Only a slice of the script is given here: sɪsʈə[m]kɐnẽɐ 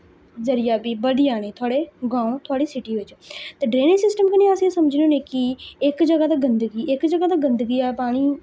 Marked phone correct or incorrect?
correct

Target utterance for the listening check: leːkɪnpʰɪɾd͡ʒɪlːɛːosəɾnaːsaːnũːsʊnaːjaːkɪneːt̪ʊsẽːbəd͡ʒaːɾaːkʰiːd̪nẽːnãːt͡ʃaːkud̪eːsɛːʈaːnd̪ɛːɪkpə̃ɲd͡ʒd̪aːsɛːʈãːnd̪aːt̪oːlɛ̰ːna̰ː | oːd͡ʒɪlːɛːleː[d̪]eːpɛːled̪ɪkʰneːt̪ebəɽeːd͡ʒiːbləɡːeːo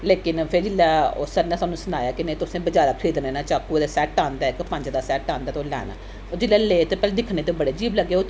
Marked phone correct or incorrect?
incorrect: t̪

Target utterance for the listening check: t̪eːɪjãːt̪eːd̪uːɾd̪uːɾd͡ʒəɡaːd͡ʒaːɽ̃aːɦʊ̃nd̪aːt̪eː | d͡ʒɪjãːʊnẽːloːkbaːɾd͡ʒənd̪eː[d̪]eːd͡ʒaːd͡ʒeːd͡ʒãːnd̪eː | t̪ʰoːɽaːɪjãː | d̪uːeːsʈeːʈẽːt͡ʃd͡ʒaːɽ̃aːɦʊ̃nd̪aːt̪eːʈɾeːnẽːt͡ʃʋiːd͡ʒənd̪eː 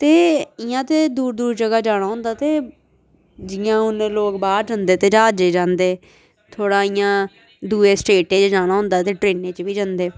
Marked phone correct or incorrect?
incorrect: t̪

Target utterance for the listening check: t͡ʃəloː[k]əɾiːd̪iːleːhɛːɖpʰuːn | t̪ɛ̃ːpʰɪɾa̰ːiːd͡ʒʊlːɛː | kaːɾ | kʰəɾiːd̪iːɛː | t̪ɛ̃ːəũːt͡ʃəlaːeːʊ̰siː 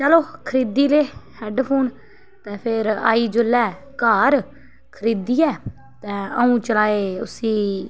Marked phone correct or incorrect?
incorrect: kʰ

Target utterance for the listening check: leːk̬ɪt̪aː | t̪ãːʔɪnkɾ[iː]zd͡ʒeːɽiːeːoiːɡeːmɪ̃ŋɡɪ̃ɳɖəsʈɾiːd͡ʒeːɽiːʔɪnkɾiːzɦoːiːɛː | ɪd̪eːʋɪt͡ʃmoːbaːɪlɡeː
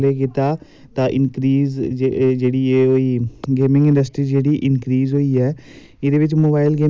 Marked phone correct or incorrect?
correct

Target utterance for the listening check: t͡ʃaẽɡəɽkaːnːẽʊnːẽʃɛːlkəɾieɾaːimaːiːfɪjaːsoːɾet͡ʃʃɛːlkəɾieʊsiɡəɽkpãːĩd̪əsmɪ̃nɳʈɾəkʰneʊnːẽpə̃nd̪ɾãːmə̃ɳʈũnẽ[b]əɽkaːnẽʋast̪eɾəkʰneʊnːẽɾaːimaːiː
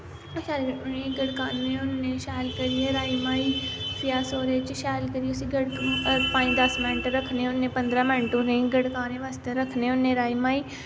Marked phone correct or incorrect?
incorrect: ɡ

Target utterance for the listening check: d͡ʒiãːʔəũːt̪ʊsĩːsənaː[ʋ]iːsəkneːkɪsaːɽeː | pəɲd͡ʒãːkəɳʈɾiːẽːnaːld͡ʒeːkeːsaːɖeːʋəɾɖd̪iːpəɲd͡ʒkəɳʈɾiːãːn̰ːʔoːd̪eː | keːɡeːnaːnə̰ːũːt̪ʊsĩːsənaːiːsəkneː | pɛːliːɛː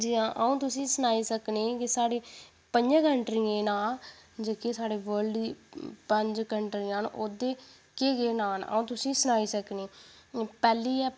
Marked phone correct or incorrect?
incorrect: none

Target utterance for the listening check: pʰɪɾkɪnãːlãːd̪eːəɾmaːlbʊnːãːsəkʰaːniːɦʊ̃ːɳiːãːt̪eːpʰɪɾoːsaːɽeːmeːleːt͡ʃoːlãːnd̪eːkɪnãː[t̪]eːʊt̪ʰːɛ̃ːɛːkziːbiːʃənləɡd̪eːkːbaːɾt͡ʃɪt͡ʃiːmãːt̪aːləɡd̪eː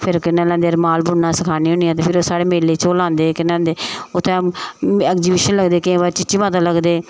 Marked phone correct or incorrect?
incorrect: d̪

